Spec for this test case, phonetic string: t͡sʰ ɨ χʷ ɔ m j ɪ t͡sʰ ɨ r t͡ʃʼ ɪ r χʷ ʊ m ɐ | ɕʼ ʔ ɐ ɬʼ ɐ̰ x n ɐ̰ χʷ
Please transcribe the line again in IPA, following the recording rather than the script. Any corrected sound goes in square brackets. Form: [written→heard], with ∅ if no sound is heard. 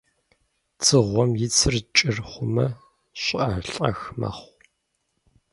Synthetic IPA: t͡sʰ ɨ [χʷ→ʁʷ] ɔ m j ɪ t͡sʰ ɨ r t͡ʃʼ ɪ r χʷ ʊ m ɐ | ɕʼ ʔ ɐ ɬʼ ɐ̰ x [n→m] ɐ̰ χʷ